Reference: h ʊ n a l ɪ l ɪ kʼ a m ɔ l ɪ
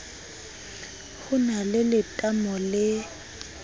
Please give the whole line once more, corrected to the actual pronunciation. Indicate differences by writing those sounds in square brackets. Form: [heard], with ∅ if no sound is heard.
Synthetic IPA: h ʊ n a l ɪ l ɪ [tʼ] a m ɔ l ɪ